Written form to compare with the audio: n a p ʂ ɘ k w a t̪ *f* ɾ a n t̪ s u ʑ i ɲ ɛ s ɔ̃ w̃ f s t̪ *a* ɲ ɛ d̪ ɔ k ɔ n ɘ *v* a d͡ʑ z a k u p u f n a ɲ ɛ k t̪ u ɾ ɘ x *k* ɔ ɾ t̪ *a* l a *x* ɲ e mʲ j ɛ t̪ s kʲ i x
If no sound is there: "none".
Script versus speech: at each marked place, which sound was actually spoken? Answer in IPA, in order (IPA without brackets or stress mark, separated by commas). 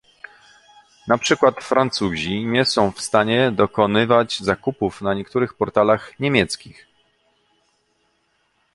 f, a, v, p, a, x